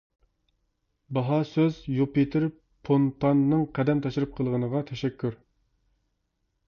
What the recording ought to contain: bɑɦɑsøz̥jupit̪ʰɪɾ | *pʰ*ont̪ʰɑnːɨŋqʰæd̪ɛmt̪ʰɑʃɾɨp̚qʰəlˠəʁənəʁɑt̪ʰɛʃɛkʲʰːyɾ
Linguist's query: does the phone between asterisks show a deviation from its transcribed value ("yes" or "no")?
no